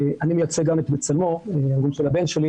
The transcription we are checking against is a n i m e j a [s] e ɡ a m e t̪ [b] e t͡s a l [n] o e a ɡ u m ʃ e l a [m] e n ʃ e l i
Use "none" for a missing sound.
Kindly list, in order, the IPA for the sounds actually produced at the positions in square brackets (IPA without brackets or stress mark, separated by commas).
t͡s, b, m, b